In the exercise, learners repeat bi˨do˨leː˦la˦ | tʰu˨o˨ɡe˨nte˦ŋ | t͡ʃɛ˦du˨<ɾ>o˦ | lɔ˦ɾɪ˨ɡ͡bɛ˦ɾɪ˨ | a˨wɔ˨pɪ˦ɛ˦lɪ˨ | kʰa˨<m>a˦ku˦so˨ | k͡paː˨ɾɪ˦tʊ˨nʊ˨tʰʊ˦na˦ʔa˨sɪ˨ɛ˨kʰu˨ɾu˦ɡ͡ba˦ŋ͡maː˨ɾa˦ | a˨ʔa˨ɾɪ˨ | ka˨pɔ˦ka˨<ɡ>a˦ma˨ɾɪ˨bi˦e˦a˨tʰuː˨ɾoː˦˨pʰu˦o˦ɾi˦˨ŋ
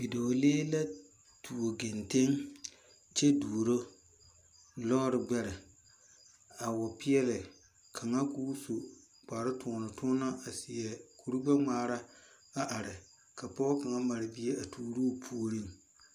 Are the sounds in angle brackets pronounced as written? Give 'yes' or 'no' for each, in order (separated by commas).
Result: yes, no, no